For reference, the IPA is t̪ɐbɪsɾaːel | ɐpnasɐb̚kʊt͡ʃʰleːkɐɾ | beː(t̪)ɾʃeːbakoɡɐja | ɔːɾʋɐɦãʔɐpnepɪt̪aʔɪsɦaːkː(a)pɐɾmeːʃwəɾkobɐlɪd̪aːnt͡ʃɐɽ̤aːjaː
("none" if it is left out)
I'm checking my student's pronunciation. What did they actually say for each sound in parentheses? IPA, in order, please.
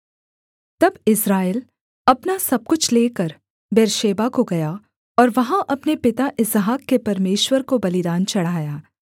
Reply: none, e

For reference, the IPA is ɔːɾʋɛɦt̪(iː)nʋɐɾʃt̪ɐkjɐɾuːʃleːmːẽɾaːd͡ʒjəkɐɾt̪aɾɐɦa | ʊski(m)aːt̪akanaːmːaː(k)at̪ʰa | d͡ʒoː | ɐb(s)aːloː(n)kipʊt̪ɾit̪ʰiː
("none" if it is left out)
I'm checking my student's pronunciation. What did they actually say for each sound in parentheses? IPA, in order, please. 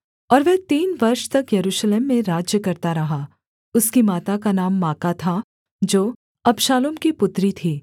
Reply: iː, m, k, ʃ, m

